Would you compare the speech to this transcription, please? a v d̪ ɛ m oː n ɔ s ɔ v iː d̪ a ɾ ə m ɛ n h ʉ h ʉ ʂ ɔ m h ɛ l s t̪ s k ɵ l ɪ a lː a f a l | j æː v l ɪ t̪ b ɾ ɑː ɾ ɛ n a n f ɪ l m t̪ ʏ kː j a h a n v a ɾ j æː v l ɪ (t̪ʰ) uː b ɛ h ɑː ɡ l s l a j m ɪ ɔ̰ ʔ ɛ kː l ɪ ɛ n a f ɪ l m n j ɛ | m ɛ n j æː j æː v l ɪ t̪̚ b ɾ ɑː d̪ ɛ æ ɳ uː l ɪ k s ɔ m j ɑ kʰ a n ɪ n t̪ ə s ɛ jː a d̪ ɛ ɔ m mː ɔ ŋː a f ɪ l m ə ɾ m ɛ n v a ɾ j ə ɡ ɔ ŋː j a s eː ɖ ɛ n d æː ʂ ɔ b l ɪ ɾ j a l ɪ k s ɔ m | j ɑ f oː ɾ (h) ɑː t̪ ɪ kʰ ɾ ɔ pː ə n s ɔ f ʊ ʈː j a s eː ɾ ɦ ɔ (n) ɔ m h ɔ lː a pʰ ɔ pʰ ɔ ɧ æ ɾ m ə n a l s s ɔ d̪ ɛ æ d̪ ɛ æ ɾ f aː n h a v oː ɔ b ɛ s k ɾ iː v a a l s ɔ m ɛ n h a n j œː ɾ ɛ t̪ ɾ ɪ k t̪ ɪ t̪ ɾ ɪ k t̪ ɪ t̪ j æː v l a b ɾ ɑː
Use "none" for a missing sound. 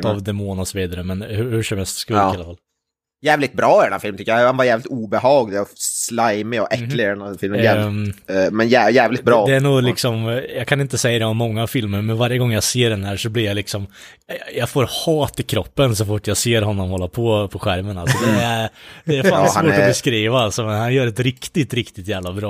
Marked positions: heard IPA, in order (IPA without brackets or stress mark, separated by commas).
t̪, h, nː